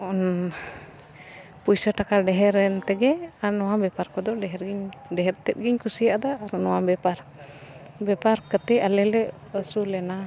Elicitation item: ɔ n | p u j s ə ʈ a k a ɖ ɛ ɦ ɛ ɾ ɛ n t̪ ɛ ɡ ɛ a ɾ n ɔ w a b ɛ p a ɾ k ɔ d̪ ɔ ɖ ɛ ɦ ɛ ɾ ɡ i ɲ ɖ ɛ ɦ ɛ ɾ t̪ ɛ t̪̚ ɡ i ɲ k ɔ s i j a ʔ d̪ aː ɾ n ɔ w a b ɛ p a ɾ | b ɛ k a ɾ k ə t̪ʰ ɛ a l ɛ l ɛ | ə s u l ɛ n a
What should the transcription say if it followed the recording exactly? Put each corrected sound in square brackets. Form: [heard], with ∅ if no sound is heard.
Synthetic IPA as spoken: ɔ n | p u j s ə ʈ a k a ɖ ɛ ɦ ɛ ɾ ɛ n t̪ ɛ ɡ ɛ a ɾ n ɔ w a b ɛ p a ɾ k ɔ d̪ ɔ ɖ ɛ ɦ ɛ ɾ ɡ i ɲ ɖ ɛ ɦ ɛ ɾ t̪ ɛ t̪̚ ɡ i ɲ k [u] s i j a ʔ d̪ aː ɾ n ɔ w a b ɛ p a ɾ | b ɛ [p] a ɾ k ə [t̪] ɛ a l ɛ l ɛ | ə s u l ɛ n a